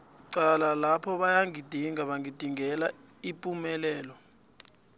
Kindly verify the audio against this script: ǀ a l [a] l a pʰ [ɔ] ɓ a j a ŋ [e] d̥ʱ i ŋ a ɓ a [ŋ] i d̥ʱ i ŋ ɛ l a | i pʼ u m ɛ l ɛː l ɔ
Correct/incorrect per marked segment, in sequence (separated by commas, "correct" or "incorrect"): correct, correct, incorrect, correct